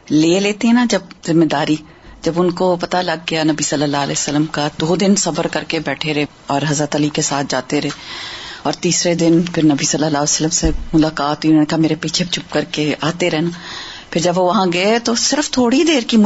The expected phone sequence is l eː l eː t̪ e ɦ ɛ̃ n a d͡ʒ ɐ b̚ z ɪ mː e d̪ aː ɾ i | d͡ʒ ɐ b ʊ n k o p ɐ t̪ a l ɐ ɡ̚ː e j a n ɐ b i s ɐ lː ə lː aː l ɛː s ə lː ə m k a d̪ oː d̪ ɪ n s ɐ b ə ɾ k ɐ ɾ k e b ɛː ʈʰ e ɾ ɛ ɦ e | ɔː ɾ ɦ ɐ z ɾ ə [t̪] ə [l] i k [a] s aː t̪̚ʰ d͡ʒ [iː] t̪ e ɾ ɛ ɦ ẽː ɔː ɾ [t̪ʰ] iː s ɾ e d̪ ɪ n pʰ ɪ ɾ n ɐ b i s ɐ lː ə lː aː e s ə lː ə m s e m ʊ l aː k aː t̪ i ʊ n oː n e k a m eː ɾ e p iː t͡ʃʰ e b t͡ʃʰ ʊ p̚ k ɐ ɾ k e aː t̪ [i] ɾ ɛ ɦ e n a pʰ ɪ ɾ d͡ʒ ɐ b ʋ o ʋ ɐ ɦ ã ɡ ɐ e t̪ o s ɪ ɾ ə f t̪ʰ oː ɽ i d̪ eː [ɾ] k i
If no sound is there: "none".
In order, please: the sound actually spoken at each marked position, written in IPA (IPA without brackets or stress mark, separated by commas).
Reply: t̪, l, e, aː, t̪, e, ɾ